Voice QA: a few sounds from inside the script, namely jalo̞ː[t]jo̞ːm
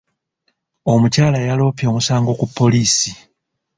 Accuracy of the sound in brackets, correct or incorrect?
incorrect